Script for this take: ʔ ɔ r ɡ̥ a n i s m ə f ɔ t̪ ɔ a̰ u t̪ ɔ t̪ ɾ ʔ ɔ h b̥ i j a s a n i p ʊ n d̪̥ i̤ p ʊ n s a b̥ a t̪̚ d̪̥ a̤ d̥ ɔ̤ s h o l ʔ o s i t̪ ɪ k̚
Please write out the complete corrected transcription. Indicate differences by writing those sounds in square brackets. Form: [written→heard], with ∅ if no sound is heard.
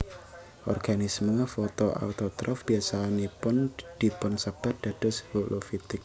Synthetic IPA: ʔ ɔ r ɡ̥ a n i s m ə f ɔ t̪ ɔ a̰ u t̪ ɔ t̪ ɾ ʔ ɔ [h→f] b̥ i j a s a n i p ʊ n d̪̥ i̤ p ʊ n s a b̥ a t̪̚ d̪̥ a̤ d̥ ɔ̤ s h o l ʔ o [s→f] i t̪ ɪ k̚